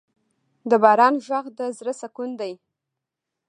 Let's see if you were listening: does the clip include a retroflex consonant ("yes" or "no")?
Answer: no